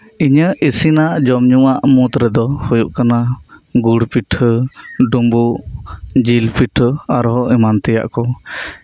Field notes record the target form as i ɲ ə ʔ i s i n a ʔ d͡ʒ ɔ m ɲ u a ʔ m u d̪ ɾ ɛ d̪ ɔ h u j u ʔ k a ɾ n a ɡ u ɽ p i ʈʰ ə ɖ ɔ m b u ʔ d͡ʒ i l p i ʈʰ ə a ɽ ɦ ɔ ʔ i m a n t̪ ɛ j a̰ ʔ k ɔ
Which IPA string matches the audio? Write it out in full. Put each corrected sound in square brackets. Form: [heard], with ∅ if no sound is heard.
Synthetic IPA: i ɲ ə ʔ i s i n a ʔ d͡ʒ ɔ m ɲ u a ʔ m u [t̪] ɾ ɛ d̪ ɔ h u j u ʔ k a [∅] n a ɡ u ɽ p i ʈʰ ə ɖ [u] m b u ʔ d͡ʒ i l p i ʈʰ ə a [ɾ] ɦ ɔ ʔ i m a n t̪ ɛ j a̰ ʔ k ɔ